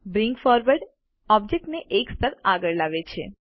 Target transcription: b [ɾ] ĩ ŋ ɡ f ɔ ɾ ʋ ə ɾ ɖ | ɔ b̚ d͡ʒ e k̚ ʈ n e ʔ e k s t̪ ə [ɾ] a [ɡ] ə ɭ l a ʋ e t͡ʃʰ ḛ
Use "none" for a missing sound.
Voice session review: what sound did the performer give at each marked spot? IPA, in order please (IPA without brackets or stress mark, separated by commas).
ɾ, ɾ, ɡ